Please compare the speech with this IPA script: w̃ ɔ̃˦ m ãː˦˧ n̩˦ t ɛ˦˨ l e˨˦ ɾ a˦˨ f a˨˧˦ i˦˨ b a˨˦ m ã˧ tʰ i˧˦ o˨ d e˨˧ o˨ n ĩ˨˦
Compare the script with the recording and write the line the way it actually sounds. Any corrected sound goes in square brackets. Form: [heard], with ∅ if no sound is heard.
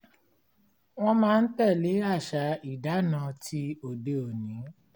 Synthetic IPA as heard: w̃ ɔ̃˦ m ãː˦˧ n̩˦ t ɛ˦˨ l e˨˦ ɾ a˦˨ [ʃ] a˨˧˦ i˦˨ [d] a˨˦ [n] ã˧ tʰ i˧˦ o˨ d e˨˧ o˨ n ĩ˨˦